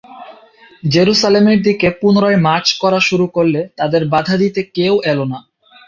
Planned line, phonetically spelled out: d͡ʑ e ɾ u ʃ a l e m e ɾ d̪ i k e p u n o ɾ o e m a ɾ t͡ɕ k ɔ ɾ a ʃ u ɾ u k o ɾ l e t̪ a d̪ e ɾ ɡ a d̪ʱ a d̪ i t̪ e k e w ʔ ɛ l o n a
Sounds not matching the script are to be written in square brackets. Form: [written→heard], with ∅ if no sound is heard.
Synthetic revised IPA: d͡ʑ e ɾ u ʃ a l e m e ɾ d̪ i k e p u n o ɾ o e m a ɾ t͡ɕ k ɔ ɾ a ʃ u ɾ u k o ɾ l e t̪ a d̪ e ɾ [ɡ→b] a d̪ʱ a d̪ i t̪ e k e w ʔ ɛ l o n a